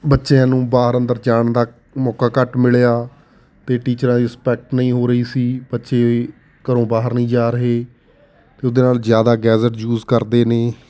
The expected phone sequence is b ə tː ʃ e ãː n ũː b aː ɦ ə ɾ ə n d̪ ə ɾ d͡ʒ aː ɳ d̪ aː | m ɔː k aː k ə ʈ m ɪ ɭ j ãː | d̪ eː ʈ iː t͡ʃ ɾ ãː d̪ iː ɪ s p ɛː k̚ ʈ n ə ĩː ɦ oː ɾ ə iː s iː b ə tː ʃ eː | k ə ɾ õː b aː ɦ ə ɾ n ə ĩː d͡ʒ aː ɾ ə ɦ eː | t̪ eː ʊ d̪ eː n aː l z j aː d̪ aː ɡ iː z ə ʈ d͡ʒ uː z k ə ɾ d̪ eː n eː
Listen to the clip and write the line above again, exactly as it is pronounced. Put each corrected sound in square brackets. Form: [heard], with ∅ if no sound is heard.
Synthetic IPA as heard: b ə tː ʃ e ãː n ũː b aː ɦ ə ɾ ə n d̪ ə ɾ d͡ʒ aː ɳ d̪ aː | m ɔː k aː k ə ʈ m ɪ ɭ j [aː] | [t̪] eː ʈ iː t͡ʃ ɾ ãː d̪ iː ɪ s p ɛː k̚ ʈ n ə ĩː ɦ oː ɾ ə iː s iː b ə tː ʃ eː | k ə ɾ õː b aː ɦ ə ɾ n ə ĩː d͡ʒ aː ɾ ə ɦ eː | t̪ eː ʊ d̪ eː n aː l z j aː d̪ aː ɡ [ɛː] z ə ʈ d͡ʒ uː z k ə ɾ d̪ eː n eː